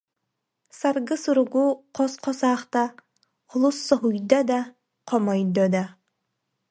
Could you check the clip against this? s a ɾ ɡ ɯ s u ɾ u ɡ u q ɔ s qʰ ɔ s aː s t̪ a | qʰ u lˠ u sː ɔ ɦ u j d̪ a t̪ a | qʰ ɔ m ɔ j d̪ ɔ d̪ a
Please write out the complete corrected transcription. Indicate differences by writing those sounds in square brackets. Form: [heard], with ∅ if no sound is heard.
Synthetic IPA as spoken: s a ɾ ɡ ɯ s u ɾ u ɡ u q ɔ s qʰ ɔ s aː [χ] t̪ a | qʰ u lˠ u sː ɔ ɦ u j d̪ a [d̪] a | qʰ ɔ m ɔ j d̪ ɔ d̪ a